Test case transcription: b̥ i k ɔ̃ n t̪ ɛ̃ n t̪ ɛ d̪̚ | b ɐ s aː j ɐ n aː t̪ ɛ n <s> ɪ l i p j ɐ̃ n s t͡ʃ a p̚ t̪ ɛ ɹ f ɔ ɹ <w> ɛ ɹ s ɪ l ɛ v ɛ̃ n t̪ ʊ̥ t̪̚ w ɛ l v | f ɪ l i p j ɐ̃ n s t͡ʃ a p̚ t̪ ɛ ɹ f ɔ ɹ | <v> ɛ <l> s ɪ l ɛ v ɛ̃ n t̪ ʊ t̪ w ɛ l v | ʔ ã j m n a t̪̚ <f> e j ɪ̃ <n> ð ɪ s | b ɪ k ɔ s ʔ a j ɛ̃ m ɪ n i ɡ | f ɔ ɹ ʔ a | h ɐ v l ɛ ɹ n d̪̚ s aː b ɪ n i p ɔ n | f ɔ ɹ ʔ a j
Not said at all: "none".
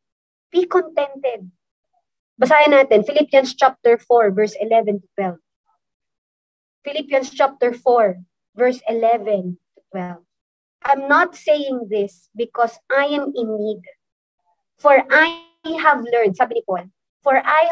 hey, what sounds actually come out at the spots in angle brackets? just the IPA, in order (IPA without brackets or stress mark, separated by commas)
f, v, v, ɹ, s, ŋ